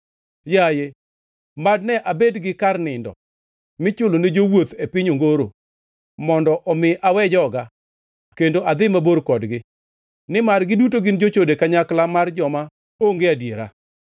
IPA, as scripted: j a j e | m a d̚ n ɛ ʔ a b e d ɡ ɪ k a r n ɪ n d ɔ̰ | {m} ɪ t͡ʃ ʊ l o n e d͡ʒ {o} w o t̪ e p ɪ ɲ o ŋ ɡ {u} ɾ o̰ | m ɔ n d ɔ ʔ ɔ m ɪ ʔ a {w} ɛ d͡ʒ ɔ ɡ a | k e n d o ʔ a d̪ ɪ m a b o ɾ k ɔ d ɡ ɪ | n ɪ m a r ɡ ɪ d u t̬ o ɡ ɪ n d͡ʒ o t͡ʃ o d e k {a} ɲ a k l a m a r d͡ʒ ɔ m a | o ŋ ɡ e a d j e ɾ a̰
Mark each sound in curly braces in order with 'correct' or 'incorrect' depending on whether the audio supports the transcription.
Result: correct, correct, incorrect, correct, correct

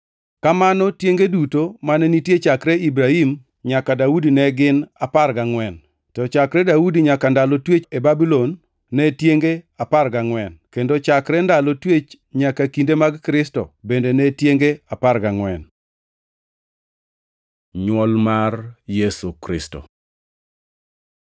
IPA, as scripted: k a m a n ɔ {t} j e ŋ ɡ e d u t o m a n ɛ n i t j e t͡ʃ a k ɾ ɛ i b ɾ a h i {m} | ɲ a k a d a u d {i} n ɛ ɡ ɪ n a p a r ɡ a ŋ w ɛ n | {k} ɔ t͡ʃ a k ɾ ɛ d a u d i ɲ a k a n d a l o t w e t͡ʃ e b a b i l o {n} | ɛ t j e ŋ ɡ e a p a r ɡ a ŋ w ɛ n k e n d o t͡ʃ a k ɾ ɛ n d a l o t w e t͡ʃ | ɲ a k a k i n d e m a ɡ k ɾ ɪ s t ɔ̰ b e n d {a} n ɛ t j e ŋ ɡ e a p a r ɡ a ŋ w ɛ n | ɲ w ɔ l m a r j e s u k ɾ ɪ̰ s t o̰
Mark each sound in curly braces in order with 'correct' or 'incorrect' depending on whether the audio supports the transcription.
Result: correct, correct, correct, incorrect, incorrect, incorrect

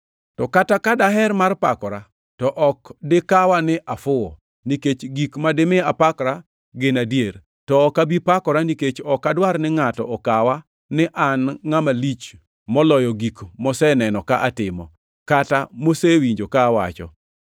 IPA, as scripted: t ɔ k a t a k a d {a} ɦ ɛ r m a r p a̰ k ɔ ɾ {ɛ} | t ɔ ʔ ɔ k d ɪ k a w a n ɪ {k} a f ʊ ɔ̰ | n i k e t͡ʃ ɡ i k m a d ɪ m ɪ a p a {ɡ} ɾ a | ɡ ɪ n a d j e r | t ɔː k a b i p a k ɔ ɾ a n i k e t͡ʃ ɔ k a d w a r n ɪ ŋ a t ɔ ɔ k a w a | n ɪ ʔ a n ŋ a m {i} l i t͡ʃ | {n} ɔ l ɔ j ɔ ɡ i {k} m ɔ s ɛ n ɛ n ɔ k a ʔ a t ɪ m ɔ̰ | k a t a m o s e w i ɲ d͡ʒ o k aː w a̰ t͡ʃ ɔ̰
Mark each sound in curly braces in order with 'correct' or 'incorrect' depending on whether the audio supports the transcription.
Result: correct, incorrect, incorrect, incorrect, incorrect, incorrect, correct

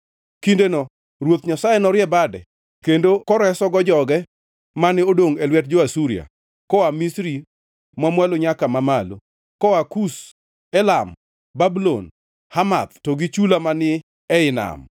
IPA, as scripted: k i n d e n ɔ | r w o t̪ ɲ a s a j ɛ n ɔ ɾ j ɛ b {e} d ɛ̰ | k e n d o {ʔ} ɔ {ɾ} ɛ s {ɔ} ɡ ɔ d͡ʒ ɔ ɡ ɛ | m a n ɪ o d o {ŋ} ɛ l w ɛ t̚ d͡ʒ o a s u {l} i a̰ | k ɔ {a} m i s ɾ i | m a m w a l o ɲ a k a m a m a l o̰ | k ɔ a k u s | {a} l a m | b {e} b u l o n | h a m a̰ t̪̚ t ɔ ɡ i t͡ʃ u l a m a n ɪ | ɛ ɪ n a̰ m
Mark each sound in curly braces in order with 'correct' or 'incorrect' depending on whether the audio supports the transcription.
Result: incorrect, incorrect, correct, correct, correct, incorrect, correct, incorrect, incorrect

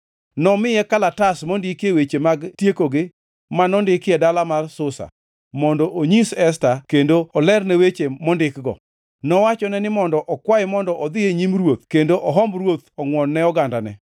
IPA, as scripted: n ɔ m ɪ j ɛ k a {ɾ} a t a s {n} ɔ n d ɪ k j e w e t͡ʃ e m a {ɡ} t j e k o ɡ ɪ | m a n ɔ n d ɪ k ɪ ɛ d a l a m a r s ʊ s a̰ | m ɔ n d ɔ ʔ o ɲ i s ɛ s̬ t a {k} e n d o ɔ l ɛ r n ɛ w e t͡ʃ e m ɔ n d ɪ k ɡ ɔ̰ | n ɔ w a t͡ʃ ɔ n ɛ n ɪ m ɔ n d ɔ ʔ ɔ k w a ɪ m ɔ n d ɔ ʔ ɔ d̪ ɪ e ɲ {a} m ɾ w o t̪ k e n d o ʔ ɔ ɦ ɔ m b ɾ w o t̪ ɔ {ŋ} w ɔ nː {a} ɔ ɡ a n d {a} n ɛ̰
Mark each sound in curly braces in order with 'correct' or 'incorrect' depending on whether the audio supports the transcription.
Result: incorrect, incorrect, correct, correct, incorrect, correct, incorrect, correct

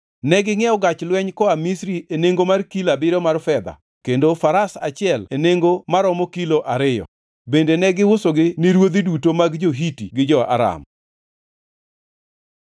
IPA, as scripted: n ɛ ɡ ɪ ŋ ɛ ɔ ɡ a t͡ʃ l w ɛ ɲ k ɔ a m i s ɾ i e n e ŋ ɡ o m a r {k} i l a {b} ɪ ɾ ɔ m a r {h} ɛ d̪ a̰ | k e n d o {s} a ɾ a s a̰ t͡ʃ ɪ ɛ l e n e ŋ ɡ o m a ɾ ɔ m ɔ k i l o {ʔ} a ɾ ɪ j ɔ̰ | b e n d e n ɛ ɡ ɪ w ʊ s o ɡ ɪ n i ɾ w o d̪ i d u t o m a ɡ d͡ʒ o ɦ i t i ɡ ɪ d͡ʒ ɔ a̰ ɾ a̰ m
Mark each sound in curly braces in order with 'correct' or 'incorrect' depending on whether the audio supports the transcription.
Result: correct, correct, incorrect, incorrect, correct

